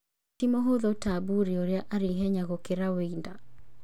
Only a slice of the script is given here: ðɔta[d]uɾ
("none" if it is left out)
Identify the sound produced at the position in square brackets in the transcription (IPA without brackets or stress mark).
b